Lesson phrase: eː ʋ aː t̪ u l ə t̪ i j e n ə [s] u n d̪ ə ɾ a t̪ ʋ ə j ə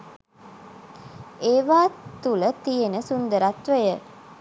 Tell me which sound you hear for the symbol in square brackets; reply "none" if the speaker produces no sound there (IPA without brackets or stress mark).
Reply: s